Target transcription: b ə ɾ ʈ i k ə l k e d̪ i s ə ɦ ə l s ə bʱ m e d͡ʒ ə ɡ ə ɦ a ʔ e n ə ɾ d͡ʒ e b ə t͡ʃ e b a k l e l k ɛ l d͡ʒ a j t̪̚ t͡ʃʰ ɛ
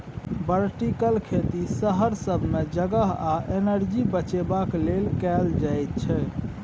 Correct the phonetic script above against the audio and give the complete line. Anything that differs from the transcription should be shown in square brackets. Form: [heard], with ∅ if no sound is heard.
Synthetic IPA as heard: b ə ɾ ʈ i k ə l [kʰ] e [t̪] i s ə ɦ ə [ɾ] s ə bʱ m e d͡ʒ ə ɡ ə ɦ a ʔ e n ə ɾ d͡ʒ [i] b ə t͡ʃ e b a k l e l k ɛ l d͡ʒ a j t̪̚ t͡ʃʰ ɛ